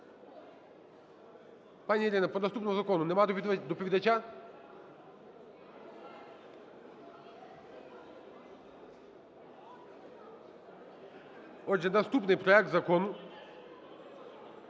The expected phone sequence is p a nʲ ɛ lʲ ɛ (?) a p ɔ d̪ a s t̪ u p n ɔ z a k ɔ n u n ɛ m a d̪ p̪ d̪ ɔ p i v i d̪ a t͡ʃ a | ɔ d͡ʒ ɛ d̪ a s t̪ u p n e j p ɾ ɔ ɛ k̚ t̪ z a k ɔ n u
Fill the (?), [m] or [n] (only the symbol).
n